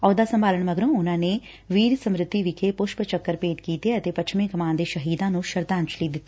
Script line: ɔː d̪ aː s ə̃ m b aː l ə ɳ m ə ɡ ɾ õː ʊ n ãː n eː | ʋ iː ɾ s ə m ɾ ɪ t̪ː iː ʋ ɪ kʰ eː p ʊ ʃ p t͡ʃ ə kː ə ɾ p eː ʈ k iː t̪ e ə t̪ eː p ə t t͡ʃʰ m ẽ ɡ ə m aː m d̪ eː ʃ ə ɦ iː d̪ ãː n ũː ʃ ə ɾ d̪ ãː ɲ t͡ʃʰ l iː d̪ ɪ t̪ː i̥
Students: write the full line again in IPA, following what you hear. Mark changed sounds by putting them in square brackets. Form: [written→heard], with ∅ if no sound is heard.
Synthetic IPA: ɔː d̪ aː s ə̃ m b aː l ə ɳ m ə ɡ ɾ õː ʊ n ãː n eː | ʋ iː ɾ s ə m ɾ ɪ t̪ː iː ʋ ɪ kʰ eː p ʊ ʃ p t͡ʃ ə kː ə ɾ p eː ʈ k iː t̪ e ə t̪ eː p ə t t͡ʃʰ m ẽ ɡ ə m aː [m→n] d̪ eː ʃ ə ɦ iː d̪ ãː n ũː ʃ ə ɾ d̪ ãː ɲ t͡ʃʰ l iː d̪ ɪ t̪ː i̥